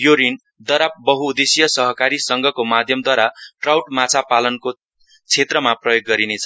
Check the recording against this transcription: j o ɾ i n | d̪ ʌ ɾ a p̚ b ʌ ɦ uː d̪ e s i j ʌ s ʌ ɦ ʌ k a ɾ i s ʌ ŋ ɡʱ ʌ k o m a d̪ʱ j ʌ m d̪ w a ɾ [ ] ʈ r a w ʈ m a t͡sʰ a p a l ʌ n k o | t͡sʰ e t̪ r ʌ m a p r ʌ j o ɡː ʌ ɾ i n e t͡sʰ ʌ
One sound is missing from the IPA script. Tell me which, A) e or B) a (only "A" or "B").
B